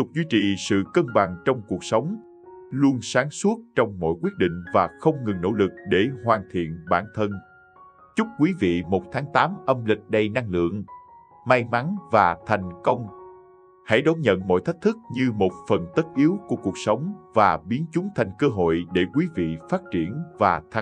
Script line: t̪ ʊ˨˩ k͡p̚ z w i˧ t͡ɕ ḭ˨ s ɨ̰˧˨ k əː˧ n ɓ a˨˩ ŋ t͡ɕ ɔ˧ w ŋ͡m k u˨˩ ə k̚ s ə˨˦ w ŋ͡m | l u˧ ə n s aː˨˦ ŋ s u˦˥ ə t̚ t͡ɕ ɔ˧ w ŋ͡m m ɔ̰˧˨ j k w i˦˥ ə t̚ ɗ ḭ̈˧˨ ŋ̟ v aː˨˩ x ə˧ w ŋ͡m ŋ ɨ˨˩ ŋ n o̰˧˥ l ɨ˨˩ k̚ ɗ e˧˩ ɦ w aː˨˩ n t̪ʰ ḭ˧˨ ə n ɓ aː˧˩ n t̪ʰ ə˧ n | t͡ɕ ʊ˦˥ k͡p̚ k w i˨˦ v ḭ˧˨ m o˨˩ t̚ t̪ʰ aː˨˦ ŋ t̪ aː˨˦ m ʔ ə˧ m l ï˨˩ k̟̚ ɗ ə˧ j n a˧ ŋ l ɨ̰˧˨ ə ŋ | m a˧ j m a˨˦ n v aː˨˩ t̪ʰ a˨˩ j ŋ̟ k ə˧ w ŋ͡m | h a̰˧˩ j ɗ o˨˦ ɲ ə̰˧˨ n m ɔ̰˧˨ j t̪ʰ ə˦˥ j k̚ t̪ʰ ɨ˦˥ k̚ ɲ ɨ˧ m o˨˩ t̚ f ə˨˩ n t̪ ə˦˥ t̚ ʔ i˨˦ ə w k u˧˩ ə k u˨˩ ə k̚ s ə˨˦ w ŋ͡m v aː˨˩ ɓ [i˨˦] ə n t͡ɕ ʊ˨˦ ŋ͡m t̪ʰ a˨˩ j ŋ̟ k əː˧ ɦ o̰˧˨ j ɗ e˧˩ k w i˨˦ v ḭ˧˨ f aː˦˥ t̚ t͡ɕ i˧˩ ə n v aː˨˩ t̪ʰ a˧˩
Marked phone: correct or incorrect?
correct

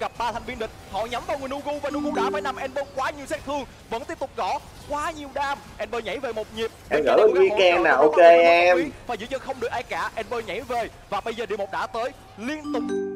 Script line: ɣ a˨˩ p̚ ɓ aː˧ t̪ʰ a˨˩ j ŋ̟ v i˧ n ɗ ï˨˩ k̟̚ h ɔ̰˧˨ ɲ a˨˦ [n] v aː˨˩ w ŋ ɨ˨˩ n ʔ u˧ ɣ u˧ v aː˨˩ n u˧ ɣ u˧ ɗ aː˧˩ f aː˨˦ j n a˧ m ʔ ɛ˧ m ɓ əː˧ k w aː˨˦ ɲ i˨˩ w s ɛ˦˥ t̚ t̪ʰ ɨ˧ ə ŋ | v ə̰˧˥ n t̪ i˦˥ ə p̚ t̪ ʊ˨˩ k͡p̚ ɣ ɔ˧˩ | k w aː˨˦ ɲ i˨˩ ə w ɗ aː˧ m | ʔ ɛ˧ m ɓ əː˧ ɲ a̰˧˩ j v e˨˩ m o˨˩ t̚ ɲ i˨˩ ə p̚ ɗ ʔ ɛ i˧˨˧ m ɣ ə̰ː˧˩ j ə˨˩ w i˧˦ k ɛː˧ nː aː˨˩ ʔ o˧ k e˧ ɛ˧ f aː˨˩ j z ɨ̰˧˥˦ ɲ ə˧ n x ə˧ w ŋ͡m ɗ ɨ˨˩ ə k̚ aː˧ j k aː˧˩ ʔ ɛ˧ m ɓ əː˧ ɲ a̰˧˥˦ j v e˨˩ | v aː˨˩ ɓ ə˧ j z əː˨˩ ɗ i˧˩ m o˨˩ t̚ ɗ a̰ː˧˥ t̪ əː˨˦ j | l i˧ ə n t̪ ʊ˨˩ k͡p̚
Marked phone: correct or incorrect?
incorrect: m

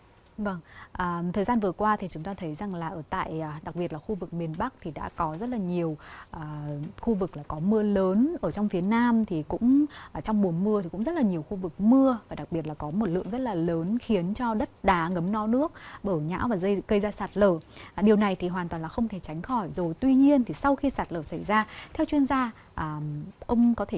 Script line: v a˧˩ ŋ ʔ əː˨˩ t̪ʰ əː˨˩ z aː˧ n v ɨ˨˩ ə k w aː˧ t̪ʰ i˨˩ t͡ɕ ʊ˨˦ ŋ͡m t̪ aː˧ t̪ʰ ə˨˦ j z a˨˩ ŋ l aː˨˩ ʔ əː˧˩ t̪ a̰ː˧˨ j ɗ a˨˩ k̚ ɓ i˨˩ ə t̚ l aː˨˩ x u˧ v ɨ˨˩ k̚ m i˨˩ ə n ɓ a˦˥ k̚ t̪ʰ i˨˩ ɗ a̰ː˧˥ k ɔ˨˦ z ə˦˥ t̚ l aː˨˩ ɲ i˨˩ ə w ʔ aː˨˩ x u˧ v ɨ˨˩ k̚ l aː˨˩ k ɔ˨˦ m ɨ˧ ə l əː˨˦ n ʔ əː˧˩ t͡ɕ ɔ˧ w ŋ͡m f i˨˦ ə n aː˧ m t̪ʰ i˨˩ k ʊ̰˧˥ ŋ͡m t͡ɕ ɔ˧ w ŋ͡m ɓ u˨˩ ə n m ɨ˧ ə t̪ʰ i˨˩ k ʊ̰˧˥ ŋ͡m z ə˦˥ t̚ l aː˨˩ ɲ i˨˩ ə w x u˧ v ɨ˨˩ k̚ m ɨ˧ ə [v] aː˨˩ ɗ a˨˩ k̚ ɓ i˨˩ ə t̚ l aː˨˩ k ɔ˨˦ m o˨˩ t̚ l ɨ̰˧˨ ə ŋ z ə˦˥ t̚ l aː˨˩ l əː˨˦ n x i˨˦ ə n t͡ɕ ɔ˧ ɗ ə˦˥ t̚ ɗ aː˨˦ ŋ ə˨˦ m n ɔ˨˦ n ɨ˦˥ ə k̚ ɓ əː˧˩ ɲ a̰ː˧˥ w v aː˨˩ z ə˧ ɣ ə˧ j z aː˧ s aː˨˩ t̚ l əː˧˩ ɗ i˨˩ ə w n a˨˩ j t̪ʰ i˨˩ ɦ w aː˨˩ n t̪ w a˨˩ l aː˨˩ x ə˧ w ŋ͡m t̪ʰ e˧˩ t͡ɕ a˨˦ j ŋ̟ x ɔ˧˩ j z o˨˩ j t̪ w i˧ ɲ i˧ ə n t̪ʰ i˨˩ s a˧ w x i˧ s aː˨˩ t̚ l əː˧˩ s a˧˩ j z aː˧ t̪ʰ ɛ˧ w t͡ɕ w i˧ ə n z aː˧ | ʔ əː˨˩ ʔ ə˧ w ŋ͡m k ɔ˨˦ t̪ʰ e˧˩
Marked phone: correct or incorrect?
correct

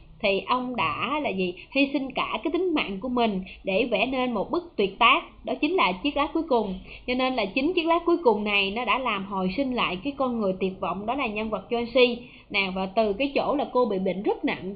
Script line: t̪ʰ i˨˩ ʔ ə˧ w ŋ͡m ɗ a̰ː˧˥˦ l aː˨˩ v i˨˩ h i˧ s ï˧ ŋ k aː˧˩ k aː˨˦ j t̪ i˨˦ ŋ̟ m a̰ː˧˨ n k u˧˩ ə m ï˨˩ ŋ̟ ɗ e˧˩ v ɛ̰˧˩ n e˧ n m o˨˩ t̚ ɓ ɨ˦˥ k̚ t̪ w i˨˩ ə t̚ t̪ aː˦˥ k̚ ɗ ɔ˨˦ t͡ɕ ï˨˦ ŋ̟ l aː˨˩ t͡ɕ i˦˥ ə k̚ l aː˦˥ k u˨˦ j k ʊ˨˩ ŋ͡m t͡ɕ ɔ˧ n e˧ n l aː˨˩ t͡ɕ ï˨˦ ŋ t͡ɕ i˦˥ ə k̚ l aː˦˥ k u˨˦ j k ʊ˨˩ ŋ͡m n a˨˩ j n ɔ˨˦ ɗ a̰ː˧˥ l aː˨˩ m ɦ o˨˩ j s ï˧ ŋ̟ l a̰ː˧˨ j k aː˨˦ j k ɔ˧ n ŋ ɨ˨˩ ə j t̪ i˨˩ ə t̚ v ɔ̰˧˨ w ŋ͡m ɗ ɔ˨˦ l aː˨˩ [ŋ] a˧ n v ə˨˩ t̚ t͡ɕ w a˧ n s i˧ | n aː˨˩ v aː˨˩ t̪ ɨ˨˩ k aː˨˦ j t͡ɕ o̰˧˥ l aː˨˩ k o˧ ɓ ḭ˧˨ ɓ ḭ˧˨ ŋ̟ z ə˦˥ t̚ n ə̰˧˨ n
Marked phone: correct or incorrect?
incorrect: ɲ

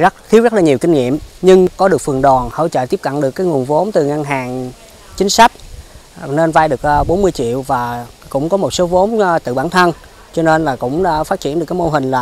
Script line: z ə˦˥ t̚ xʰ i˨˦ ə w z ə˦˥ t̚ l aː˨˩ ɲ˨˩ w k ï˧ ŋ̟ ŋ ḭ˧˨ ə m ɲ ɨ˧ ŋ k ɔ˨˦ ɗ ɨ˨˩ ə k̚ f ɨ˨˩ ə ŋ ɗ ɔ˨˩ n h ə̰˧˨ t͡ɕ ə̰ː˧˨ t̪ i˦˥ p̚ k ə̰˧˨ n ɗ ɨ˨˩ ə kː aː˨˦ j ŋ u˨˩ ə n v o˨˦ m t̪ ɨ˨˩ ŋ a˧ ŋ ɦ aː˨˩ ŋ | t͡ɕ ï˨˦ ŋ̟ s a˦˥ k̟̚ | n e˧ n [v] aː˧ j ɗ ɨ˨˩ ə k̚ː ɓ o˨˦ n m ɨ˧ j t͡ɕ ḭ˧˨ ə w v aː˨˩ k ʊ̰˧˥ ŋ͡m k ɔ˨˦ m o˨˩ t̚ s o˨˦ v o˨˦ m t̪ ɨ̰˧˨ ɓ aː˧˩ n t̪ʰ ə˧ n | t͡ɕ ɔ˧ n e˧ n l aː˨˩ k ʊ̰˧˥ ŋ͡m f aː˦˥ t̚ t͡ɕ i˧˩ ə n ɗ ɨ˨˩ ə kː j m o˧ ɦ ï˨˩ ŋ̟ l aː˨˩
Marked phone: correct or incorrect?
correct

